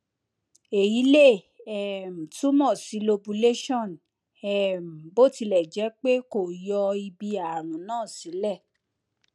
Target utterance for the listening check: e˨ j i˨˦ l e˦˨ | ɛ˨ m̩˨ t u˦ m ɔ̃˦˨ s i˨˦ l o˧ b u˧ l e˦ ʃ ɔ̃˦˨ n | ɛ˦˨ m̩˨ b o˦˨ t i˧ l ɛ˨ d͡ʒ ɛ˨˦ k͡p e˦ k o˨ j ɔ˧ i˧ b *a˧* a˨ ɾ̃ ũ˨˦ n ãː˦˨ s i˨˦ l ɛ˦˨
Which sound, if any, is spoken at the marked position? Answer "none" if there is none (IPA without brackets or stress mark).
i˧